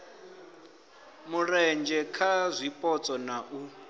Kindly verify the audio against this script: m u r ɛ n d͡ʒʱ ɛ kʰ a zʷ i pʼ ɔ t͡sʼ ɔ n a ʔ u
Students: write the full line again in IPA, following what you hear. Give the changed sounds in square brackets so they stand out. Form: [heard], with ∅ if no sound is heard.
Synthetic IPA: m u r ɛ n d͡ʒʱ ɛ kʰ a zʷ i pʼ ɔ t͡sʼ ɔ n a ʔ u